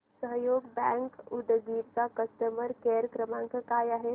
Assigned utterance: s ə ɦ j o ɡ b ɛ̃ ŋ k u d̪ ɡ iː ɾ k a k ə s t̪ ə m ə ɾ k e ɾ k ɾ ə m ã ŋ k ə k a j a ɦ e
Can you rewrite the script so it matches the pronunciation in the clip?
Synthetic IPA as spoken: s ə ɦ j o ɡ b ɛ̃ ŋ k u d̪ ɡ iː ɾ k a k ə s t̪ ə m ə ɾ k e ɾ k ɾ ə m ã ŋ k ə k a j a ɦ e